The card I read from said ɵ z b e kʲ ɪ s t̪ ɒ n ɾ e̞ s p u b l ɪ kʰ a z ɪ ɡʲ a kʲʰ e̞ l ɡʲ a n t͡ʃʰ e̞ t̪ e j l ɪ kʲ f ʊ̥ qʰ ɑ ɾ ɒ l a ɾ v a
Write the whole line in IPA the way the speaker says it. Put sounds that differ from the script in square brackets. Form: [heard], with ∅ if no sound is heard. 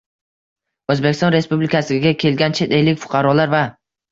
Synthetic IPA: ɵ z b e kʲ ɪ s t̪ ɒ n ɾ e̞ s p u b l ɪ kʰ a [s] ɪ ɡʲ a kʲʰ e̞ l ɡʲ a n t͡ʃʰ e̞ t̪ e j l ɪ kʲ f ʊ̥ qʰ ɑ ɾ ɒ l a ɾ v a